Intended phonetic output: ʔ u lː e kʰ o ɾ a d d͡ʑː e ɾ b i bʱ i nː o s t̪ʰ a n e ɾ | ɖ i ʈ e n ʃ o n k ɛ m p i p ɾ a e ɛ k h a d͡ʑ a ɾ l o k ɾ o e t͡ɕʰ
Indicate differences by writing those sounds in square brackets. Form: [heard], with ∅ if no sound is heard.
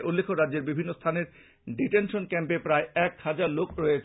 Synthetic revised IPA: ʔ u lː e kʰ o ɾ a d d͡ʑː e ɾ b i bʱ i nː o s t̪ʰ a n e ɾ | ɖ i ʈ e n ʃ o n k ɛ m p [e] p ɾ a e ɛ k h a d͡ʑ a ɾ l o k ɾ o e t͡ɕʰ

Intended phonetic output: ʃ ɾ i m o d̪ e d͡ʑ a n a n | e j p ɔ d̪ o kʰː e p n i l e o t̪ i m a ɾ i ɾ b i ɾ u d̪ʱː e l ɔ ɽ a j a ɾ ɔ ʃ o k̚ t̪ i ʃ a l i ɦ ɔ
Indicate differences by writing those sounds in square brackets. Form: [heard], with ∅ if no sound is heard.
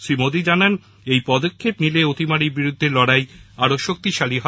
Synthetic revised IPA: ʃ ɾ i m o d̪ [i] d͡ʑ a n a n | e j p ɔ d̪ o kʰː e p n i l e o t̪ i m a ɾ i ɾ b i ɾ u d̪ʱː e l ɔ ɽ a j a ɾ [o] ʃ o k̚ t̪ i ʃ a l i ɦ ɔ

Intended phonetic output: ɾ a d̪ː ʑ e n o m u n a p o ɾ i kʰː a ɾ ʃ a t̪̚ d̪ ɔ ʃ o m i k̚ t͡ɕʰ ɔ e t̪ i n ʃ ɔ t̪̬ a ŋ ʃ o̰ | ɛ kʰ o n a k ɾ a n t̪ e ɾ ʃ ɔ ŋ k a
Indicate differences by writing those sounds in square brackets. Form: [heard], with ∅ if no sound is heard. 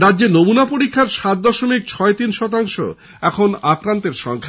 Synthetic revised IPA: ɾ a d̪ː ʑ e n o m u n a p o ɾ i kʰː a ɾ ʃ a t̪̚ d̪ ɔ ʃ o m i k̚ t͡ɕʰ ɔ e t̪ i n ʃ ɔ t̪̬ a ŋ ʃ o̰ | ɛ kʰ o n a k ɾ a n t̪ e ɾ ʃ ɔ ŋ [kʰ] a

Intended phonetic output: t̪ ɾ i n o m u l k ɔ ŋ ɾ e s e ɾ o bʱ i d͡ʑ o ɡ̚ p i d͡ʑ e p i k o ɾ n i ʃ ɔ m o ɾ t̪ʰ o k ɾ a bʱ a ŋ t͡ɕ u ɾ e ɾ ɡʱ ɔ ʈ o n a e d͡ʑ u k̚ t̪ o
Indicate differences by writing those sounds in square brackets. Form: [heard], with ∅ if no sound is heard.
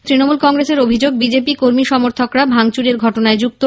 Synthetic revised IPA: t̪ ɾ i n o m u l k ɔ ŋ ɾ e s e ɾ o bʱ i d͡ʑ o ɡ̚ [b] i d͡ʑ e p i k o ɾ [m] i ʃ ɔ m o ɾ t̪ʰ o k ɾ a bʱ a ŋ t͡ɕ u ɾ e ɾ ɡʱ ɔ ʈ o n a e d͡ʑ u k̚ t̪ o

